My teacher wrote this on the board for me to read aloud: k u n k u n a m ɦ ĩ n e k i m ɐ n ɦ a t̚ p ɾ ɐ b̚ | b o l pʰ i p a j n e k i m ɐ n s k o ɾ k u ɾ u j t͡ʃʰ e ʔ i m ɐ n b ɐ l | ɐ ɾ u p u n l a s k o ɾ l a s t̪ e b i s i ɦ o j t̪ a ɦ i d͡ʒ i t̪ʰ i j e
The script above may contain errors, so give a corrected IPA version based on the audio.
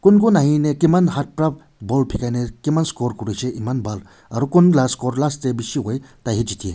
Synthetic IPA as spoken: k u n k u n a ɦ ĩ n e k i m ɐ n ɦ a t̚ p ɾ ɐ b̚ | b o l pʰ i k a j n e k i m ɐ n s k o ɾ k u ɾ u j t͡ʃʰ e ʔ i m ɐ n b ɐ l | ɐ ɾ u k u n l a s k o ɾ l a s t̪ e b i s i ɦ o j t̪ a ɦ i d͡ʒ i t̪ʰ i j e